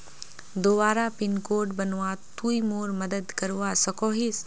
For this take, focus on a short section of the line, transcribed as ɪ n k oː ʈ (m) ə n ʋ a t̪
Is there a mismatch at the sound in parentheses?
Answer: yes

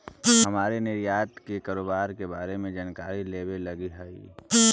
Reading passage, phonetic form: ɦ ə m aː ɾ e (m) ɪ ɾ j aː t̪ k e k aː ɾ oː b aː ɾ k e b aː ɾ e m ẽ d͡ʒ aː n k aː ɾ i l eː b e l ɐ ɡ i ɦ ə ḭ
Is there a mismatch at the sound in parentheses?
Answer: yes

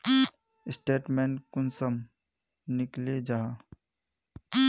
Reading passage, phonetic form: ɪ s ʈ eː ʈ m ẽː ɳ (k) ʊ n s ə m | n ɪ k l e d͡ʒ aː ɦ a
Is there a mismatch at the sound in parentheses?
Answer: no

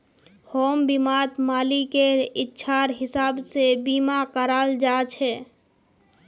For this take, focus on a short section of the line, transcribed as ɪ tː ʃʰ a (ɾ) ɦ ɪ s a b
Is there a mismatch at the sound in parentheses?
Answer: no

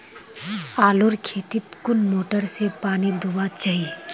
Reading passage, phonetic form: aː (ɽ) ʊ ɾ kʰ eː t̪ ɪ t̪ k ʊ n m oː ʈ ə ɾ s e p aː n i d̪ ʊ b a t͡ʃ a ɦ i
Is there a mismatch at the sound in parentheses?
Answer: yes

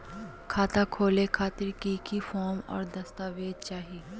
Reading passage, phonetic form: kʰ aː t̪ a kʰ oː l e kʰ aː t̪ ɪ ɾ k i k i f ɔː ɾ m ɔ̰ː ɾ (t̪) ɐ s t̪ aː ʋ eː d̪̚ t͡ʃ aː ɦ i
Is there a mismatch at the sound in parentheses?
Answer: yes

